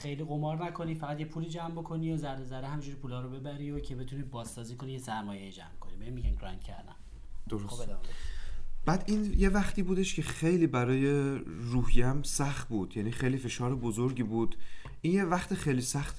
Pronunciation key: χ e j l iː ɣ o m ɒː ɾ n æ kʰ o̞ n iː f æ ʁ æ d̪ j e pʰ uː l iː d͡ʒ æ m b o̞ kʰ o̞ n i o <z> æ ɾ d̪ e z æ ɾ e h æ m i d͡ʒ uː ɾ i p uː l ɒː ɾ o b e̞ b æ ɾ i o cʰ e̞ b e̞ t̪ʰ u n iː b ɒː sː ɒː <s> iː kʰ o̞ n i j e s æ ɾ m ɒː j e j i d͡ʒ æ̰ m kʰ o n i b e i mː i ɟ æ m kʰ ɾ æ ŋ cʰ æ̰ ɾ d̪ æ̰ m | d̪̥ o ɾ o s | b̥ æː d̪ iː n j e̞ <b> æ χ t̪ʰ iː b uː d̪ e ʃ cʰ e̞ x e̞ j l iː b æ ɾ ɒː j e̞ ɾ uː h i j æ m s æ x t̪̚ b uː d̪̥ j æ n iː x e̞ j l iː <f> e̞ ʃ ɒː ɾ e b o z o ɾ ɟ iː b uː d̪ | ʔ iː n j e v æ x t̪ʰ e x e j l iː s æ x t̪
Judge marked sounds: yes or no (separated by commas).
yes, no, no, yes